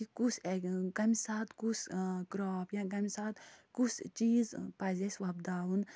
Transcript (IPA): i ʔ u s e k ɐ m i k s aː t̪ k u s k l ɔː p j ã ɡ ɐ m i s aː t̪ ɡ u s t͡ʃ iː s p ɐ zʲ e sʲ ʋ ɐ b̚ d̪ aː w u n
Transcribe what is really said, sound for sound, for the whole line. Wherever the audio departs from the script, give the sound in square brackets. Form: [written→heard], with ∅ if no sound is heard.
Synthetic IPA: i [ʔ→k] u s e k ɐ m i [k→∅] s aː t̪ k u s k [l→ɾ] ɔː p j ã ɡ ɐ m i s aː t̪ [ɡ→k] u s t͡ʃ iː [s→z] p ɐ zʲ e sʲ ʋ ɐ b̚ d̪ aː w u n